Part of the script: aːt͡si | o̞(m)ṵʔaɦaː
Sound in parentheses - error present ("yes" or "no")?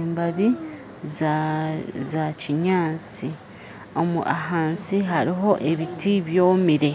no